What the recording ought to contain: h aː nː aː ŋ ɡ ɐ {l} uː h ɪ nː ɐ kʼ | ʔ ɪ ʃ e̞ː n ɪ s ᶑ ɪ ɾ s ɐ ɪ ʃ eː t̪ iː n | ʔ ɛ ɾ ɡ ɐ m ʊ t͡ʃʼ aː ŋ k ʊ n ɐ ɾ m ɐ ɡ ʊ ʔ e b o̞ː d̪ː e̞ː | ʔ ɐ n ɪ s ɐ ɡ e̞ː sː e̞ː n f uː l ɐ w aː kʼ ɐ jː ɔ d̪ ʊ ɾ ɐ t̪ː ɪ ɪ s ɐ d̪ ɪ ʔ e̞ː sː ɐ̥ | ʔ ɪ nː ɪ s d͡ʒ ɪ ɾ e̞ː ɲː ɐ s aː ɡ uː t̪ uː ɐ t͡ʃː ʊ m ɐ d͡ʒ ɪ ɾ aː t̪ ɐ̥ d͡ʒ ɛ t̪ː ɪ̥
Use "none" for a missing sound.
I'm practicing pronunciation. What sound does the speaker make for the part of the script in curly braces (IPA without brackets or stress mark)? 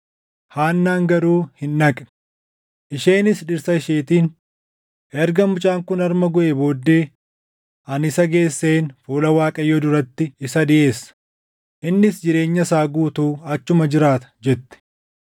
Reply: ɾ